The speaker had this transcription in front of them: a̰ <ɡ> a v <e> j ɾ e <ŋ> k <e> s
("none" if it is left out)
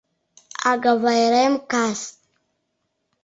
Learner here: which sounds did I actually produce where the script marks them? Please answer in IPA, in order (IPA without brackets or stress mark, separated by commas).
ɡ, a, m, a